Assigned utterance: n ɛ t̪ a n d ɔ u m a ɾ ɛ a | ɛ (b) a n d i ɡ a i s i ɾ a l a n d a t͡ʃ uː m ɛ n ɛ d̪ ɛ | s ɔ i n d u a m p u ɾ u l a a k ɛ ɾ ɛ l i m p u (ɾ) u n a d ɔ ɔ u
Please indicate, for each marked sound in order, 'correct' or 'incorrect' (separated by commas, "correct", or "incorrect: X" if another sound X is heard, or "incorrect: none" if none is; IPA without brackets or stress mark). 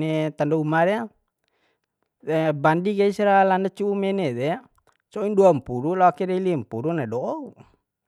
correct, correct